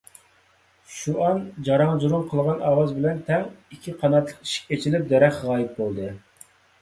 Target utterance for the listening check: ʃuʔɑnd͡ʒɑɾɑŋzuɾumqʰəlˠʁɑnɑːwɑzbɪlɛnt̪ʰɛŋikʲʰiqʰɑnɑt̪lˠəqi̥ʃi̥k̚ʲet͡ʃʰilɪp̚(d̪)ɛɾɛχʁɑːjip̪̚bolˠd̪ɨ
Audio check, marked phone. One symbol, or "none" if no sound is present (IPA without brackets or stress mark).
d̪